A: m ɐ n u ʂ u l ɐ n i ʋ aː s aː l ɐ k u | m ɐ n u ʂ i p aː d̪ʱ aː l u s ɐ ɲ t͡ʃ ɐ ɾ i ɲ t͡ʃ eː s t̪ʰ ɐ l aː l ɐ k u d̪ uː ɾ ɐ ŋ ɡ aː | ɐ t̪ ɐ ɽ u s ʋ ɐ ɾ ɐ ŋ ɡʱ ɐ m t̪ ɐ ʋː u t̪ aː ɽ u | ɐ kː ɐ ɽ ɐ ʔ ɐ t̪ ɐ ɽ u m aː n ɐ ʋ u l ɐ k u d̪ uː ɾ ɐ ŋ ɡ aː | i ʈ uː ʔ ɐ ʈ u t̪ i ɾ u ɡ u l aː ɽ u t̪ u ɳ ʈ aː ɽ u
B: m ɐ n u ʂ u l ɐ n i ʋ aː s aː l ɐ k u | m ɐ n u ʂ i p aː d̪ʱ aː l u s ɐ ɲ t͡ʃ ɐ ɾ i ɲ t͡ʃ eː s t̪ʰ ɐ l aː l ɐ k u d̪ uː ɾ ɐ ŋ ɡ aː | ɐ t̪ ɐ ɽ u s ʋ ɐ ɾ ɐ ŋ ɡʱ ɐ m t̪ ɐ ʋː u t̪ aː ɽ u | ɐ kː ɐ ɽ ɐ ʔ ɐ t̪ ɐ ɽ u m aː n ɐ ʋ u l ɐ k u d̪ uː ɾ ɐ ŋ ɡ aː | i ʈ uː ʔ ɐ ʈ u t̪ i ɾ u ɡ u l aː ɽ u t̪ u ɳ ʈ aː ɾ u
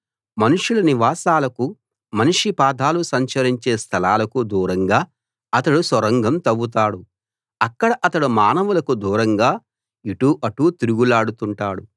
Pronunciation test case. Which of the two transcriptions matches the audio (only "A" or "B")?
A